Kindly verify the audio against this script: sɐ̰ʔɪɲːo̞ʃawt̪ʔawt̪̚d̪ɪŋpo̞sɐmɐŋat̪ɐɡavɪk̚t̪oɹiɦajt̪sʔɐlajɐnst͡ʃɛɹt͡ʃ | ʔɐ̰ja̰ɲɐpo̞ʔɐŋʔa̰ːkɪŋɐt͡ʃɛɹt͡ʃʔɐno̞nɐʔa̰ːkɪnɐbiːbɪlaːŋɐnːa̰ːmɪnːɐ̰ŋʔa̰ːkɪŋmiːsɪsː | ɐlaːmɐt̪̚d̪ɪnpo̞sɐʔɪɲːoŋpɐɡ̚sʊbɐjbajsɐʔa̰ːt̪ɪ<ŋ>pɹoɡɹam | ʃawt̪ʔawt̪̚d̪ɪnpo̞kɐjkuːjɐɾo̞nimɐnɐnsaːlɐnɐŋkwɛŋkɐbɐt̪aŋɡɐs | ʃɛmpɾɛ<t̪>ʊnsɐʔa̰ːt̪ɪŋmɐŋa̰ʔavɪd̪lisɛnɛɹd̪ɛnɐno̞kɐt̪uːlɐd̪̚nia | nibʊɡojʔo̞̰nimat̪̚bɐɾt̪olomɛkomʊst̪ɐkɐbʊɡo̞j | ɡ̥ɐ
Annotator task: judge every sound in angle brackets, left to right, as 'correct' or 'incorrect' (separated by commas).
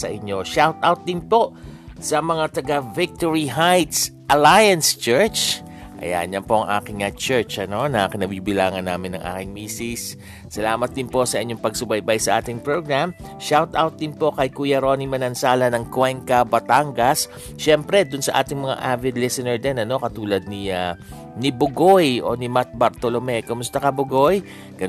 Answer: correct, incorrect